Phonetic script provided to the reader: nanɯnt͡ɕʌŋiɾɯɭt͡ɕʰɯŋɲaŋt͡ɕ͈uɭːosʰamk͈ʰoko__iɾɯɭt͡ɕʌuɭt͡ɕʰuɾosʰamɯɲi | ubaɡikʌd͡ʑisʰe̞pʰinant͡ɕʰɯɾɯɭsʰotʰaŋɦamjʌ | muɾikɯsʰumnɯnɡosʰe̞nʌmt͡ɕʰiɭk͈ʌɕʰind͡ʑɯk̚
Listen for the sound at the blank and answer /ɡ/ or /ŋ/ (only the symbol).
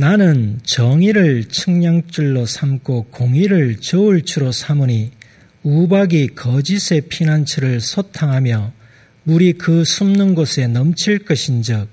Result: ŋ